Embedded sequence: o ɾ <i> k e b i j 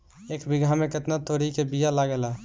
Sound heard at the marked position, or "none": i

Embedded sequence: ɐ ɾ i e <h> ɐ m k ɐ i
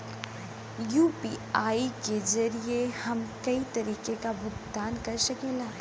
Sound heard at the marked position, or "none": h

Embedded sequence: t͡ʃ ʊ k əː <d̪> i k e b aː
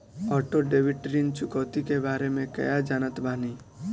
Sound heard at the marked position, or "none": t̪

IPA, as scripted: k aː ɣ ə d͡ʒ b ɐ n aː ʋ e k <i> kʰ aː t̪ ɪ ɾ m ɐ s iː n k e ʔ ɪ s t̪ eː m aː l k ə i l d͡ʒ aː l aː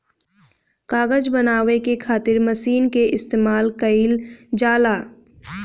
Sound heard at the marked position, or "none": e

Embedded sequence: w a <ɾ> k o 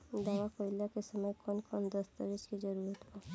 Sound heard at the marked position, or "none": none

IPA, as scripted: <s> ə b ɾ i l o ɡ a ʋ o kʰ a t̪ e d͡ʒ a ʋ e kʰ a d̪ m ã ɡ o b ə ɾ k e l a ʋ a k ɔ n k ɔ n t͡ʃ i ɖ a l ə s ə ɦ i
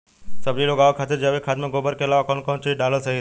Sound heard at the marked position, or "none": s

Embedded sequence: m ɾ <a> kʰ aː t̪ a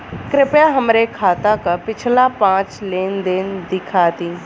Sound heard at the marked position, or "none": e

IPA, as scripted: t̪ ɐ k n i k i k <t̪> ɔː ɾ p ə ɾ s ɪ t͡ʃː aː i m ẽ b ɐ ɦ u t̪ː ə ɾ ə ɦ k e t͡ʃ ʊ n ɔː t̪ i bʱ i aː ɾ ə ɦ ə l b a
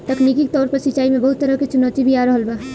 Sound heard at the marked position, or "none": t̪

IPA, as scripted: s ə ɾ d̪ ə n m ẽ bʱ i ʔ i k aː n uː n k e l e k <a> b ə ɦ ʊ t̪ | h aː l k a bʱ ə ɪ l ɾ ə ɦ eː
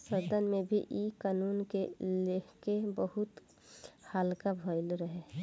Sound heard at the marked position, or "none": e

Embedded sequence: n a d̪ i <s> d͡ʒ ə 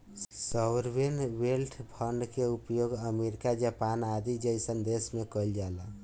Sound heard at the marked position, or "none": none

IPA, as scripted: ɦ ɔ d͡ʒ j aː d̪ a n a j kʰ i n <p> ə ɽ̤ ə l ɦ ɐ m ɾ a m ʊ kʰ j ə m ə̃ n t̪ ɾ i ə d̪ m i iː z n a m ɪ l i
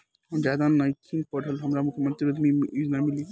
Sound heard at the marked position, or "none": p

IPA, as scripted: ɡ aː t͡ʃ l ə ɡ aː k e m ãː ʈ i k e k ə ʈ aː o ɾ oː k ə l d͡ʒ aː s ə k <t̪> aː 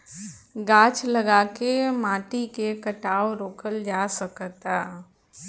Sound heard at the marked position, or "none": t̪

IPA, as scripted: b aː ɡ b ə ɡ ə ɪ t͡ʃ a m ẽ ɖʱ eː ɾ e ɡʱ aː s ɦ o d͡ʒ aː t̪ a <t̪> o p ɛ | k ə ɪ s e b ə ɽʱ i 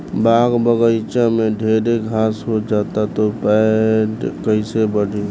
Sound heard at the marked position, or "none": t̪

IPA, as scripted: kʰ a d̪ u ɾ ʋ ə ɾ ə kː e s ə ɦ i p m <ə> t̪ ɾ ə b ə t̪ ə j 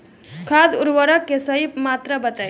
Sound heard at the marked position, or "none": a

